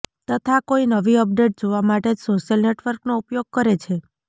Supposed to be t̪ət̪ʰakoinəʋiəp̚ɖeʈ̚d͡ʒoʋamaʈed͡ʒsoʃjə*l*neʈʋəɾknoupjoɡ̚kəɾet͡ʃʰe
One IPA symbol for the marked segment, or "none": l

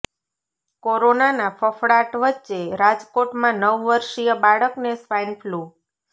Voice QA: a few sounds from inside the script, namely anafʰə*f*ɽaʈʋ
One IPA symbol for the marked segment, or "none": f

